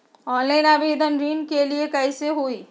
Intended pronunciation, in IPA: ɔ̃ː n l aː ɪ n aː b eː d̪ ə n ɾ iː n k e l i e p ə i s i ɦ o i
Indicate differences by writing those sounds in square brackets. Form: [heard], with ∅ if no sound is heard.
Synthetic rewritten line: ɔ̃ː n l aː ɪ n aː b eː d̪ ə n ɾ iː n k e l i e [k] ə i s [e] ɦ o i